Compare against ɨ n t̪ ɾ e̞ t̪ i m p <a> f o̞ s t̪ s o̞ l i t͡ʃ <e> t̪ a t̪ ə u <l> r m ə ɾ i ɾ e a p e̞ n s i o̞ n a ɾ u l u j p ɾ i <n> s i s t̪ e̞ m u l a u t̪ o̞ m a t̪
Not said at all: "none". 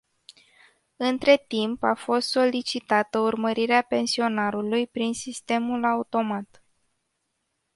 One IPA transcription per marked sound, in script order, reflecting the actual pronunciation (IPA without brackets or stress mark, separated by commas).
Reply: a, i, none, n